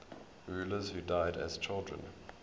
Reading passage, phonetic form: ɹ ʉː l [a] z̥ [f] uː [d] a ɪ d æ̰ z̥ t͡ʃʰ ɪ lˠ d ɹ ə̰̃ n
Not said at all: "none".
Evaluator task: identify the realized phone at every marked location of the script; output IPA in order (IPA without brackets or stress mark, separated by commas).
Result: ə, h, d